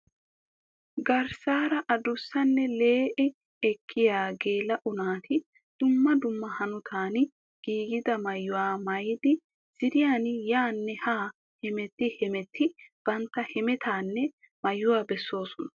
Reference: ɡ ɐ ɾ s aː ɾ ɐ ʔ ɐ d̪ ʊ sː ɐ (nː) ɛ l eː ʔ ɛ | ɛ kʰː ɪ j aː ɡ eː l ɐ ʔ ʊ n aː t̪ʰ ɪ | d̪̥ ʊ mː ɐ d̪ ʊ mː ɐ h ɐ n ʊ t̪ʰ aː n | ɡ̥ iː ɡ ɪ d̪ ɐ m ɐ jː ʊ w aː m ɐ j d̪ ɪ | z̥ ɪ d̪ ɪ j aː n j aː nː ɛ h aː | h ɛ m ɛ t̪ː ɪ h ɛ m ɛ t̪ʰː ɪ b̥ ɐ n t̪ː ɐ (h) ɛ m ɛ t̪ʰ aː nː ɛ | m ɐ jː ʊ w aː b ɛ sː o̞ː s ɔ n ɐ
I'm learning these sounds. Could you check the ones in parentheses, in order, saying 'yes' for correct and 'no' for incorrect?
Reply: yes, yes

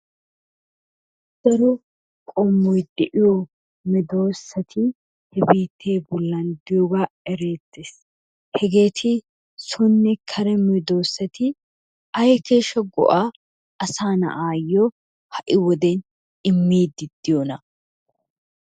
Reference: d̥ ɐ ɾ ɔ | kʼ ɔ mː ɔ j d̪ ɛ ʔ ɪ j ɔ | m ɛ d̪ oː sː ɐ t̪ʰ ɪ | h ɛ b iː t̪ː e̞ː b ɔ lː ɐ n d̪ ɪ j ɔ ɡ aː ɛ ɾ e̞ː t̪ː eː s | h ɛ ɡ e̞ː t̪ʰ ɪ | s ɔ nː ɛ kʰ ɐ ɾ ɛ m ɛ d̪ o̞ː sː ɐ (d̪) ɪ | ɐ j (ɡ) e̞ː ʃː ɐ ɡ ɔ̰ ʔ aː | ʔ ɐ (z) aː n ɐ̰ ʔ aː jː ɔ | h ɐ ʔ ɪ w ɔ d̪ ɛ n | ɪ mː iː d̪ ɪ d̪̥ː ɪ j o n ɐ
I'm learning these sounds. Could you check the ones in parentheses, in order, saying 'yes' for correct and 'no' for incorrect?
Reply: no, no, no

